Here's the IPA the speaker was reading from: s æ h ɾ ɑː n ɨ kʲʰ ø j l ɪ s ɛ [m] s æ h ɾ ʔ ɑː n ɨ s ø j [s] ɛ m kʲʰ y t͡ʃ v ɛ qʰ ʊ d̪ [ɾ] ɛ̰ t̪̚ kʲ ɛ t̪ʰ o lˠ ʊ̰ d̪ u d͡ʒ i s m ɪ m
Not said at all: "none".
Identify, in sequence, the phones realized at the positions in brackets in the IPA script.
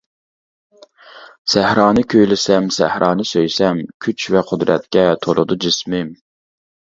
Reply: m, s, ɾ

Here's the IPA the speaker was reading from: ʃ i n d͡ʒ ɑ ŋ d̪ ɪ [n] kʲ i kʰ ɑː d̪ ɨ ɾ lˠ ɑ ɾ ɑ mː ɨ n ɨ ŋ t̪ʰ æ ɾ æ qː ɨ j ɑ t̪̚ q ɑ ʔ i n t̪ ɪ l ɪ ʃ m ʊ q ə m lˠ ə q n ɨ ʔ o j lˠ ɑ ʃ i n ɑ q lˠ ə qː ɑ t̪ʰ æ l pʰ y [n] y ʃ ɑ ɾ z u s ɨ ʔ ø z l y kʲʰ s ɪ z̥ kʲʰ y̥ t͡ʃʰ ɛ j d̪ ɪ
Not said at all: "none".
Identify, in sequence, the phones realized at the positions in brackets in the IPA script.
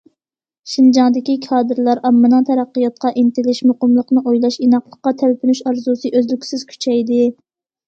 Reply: none, n

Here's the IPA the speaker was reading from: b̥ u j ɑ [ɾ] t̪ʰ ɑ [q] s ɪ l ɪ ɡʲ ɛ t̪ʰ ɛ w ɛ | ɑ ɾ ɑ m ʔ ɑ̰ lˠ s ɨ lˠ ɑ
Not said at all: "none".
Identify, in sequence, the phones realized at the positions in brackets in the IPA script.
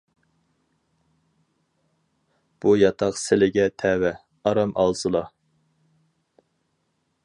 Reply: none, q

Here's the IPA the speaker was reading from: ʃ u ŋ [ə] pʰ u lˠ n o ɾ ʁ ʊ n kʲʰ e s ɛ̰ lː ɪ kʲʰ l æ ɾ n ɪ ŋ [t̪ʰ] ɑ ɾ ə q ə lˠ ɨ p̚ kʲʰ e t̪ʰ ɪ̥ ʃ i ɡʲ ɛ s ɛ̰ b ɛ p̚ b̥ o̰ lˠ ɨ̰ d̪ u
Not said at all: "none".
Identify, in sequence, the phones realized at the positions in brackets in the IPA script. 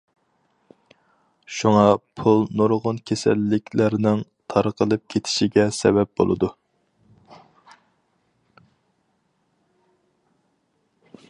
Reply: ɑ, t̪ʰ

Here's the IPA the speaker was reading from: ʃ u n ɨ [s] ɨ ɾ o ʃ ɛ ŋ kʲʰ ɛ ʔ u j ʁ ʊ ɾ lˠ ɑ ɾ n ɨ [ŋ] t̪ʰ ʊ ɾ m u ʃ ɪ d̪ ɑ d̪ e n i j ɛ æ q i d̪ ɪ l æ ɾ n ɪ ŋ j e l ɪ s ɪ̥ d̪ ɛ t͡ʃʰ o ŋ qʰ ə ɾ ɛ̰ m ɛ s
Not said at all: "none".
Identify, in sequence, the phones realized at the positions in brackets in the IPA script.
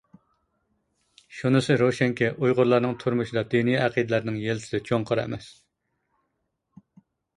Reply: s, ŋ

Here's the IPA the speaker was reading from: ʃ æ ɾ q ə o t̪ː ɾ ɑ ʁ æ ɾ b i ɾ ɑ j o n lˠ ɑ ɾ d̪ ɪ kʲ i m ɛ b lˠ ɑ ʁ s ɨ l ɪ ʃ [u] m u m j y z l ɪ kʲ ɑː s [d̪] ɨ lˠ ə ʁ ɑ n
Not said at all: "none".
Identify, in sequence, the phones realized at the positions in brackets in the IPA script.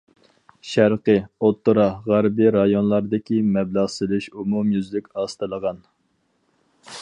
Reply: u, t̪

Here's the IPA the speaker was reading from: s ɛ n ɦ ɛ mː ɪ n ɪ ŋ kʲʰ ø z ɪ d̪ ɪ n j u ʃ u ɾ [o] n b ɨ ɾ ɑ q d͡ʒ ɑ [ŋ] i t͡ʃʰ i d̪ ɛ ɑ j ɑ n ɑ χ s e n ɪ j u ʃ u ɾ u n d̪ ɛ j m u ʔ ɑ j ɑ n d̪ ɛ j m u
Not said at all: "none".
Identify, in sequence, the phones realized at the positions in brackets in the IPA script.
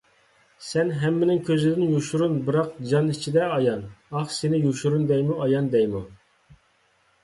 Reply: u, n

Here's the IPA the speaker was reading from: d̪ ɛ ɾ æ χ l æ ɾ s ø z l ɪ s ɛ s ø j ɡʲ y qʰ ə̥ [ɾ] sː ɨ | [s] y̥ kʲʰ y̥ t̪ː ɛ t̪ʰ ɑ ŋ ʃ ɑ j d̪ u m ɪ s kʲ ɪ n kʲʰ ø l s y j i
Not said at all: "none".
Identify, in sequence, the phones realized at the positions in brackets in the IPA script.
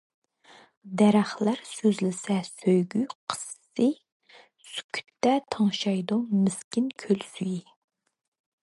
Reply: none, s

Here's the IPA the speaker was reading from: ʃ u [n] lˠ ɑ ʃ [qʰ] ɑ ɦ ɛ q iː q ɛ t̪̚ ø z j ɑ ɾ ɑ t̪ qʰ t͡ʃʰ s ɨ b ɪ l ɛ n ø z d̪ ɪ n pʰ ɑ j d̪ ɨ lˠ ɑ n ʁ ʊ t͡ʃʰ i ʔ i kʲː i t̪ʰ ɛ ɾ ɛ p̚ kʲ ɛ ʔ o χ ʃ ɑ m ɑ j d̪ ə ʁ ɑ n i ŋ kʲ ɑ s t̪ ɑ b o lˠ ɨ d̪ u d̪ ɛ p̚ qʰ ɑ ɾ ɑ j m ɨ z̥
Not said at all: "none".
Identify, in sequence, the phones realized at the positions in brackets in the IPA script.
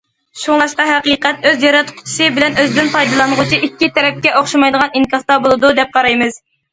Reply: ŋ, q

